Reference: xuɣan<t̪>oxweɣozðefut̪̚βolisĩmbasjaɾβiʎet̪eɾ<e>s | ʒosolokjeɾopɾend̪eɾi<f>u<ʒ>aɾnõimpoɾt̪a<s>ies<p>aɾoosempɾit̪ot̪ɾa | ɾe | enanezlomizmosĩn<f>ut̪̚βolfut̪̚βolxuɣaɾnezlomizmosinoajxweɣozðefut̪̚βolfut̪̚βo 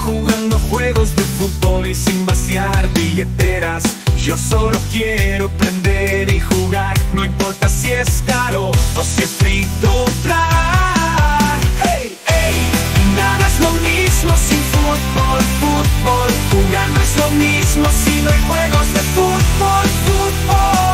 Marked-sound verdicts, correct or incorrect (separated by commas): incorrect, incorrect, incorrect, incorrect, correct, incorrect, correct